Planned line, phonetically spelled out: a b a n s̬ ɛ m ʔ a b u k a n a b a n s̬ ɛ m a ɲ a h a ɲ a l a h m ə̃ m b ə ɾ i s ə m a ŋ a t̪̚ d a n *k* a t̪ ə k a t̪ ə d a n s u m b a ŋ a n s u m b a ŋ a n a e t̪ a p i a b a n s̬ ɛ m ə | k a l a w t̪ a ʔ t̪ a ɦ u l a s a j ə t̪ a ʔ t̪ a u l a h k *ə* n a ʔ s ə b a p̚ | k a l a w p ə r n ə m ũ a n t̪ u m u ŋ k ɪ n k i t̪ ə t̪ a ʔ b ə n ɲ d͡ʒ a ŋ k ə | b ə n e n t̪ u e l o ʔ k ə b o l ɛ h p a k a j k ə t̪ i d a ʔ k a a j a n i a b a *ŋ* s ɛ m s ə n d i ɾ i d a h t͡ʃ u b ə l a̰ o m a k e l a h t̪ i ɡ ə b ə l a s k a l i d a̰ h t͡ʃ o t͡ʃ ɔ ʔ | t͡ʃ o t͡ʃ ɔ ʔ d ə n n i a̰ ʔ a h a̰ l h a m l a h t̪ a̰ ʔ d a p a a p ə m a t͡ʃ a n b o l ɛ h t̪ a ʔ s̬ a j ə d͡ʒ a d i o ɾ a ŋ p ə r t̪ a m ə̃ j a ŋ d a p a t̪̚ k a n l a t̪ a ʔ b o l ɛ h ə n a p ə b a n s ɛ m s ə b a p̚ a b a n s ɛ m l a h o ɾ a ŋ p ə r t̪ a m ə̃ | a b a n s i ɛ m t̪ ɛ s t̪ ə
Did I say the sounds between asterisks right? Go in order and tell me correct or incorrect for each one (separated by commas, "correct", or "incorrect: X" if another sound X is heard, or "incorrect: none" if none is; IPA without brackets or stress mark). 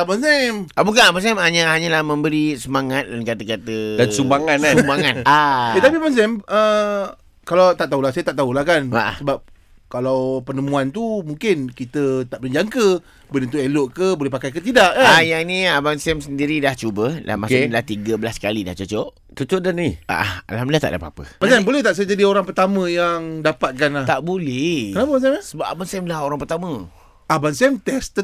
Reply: correct, incorrect: a, incorrect: n